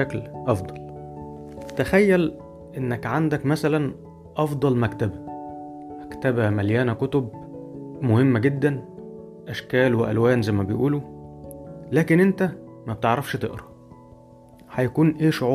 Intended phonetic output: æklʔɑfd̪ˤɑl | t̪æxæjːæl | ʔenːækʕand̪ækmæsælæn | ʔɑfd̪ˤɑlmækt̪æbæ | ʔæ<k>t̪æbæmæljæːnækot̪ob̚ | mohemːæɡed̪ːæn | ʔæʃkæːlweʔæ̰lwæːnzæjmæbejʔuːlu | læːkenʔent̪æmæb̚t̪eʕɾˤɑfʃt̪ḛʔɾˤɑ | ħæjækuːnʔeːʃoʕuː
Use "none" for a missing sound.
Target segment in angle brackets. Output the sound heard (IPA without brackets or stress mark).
k